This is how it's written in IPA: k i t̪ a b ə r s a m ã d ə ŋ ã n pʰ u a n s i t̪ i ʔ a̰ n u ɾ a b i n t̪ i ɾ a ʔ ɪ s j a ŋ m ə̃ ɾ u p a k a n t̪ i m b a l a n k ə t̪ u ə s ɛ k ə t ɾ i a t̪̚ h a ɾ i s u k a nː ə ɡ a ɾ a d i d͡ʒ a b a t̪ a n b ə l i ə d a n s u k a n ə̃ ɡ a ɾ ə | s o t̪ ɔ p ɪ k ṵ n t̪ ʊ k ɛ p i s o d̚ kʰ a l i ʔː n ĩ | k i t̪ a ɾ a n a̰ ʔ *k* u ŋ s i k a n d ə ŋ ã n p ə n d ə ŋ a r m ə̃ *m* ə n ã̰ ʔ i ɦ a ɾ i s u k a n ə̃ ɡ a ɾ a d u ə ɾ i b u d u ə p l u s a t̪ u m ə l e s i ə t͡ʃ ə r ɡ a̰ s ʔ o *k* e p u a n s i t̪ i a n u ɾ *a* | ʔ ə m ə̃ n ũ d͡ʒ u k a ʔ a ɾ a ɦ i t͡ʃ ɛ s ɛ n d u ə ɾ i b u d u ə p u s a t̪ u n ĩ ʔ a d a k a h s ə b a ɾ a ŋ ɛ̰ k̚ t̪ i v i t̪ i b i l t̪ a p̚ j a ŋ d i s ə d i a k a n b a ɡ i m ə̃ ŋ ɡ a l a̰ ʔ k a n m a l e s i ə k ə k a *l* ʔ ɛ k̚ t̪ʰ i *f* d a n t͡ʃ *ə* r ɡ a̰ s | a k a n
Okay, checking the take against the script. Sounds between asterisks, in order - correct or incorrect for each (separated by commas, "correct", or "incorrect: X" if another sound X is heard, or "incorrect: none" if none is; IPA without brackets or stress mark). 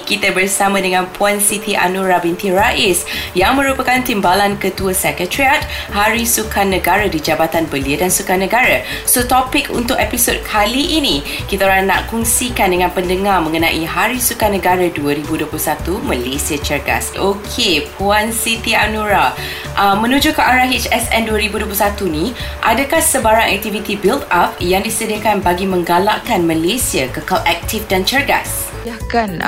correct, incorrect: ŋ, incorrect: kʰ, correct, correct, correct, correct